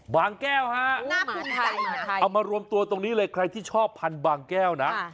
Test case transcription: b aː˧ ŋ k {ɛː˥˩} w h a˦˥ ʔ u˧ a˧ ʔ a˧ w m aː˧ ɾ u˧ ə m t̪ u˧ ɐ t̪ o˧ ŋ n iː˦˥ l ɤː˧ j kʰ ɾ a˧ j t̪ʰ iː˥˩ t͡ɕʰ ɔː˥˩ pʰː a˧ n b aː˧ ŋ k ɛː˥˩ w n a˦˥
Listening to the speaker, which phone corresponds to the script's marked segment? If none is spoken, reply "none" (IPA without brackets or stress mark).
ɛː˥˩